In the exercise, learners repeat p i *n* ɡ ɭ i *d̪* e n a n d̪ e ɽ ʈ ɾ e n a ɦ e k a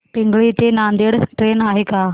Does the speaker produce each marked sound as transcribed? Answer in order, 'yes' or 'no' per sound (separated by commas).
no, no